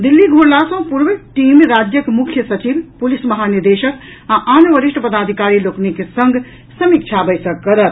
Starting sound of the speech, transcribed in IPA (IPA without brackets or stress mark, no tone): d̪